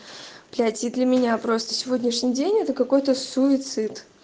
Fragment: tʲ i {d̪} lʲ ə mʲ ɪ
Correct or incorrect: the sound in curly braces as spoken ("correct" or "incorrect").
correct